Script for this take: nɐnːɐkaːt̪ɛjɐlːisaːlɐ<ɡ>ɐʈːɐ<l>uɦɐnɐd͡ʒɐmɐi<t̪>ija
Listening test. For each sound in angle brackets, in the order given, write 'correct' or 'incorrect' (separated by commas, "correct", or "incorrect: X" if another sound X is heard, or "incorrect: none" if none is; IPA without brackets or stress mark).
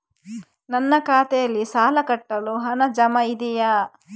incorrect: k, correct, incorrect: d̪